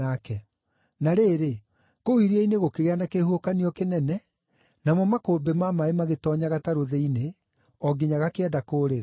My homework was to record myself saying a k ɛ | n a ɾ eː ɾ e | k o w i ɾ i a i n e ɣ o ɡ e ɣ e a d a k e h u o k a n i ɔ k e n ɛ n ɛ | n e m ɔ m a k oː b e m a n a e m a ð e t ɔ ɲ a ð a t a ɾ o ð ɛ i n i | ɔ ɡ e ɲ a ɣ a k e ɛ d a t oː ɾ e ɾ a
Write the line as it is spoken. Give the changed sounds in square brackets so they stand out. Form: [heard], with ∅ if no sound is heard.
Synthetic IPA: a k ɛ | n a ɾ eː ɾ e | k o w i ɾ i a i n e ɣ o [k] e ɣ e a [n] a k e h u o k a n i ɔ k e n ɛ n ɛ | n [a] m ɔ m a k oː b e m a [m] a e m a [ɣ] e t ɔ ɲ a [ɣ] a t a ɾ o ð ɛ i n [e] | ɔ ɡ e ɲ a ɣ a k e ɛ d a [k] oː ɾ e ɾ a